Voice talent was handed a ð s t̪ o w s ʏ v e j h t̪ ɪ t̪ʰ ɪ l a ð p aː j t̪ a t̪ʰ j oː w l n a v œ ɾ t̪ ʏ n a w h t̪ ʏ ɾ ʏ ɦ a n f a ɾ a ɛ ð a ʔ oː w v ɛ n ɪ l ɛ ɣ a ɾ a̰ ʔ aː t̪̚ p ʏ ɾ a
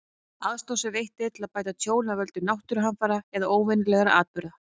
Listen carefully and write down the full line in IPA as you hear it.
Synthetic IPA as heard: a ð s t̪ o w s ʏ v e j h t̪ ɪ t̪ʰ ɪ l a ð p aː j t̪ a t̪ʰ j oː w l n a v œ l t̪ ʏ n a w h t̪ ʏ ɾ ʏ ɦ a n f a ɾ a ɛ ð a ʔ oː w v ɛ n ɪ l ɛ ɣ a ɾ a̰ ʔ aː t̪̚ p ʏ ɾ a